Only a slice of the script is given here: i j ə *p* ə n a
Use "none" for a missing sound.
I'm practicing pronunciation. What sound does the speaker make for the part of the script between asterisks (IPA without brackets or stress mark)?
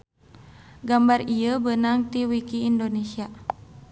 b